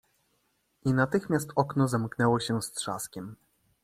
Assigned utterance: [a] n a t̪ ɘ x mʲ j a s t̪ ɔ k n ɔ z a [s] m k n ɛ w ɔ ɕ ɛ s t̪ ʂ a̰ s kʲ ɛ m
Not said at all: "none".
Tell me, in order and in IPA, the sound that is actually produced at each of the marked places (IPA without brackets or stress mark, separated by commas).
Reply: i, none